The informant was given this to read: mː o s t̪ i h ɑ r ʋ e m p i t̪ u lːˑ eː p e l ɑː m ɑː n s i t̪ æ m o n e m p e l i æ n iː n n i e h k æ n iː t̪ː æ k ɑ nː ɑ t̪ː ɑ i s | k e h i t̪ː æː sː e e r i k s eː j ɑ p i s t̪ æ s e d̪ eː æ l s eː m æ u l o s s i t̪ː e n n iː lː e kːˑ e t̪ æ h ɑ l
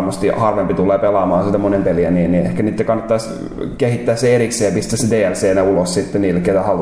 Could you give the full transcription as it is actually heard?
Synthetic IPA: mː o s t̪ i h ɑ r ʋ e m p i t̪ u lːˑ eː p e l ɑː m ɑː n s i t̪ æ m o n e m p e l i æ n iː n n i e h k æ n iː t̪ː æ k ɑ nː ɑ t̪ː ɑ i s | k e h i t̪ː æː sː e e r i k s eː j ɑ p i s t̪ æ s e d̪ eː æ l s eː n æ u l o s s i t̪ː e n n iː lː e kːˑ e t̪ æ h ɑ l